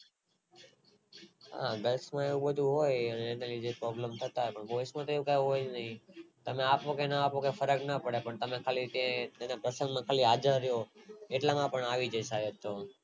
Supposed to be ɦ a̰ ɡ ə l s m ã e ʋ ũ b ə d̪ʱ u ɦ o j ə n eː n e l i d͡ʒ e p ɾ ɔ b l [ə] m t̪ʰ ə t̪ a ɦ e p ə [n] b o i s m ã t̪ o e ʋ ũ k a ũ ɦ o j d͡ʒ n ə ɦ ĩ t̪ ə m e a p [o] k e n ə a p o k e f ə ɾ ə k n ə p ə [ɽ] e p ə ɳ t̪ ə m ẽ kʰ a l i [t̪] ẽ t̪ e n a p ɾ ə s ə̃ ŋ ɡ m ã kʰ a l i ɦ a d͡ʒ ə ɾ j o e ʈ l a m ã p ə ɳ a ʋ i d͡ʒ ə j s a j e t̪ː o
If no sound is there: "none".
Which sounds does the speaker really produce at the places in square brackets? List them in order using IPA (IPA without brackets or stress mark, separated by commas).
ə, ɳ, o, ɽ, t̪